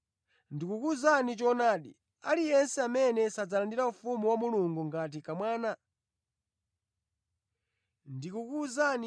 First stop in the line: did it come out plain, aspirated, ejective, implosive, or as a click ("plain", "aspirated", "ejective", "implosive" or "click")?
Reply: plain